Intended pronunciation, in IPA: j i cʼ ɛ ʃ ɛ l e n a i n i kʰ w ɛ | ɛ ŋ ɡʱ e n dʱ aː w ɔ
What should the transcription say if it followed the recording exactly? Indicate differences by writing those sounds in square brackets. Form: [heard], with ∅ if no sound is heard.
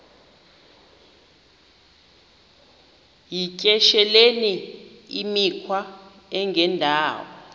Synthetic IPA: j i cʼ ɛ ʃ ɛ l e n [i] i [m] i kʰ w [a] | ɛ ŋ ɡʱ [ɛ] n dʱ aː w ɔ